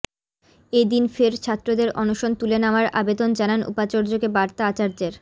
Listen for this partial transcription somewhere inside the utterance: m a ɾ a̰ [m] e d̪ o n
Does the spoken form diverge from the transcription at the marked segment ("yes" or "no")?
yes